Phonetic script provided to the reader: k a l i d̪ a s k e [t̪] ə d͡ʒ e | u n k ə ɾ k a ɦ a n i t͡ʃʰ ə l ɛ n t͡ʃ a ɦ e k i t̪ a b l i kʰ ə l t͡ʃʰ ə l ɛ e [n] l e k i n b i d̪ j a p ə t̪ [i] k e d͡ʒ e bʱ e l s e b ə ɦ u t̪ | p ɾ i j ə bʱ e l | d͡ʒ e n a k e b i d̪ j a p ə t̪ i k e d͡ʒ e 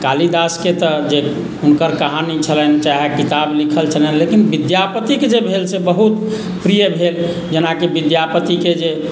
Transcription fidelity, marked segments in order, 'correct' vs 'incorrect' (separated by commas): correct, correct, correct